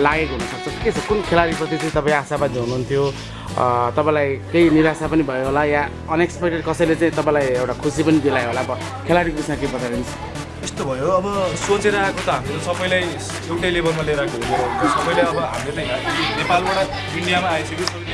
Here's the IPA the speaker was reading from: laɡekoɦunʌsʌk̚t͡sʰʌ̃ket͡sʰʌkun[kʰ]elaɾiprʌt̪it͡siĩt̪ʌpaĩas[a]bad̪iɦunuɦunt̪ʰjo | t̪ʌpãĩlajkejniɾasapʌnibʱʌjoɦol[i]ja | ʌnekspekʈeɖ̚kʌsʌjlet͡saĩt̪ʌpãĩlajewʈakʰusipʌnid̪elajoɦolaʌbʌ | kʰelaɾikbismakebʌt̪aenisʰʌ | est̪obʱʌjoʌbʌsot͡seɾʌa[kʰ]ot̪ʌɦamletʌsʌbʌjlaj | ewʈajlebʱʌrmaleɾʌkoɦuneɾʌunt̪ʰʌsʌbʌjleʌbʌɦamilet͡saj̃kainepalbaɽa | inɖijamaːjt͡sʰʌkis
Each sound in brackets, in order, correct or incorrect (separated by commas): correct, correct, incorrect, incorrect